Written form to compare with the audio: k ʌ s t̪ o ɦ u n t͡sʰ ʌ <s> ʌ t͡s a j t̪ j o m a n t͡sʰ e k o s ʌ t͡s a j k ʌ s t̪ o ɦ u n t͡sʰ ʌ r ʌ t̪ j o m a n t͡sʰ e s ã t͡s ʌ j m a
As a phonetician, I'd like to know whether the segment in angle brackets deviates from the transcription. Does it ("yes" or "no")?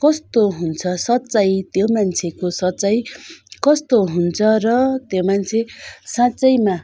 no